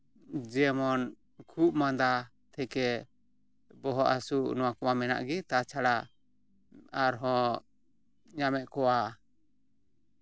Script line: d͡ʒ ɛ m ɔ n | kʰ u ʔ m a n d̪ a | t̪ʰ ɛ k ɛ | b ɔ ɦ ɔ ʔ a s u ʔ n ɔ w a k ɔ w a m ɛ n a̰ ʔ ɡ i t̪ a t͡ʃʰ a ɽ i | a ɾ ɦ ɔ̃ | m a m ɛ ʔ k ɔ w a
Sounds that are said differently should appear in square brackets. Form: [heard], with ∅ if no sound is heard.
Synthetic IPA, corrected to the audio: d͡ʒ ɛ m ɔ n | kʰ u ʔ m a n d̪ a | t̪ʰ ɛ k ɛ | b ɔ ɦ ɔ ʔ a s u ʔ n ɔ w a k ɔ w a m ɛ n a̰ ʔ ɡ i t̪ a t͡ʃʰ a ɽ [a] | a ɾ ɦ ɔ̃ | [ɲ] a m ɛ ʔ k ɔ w a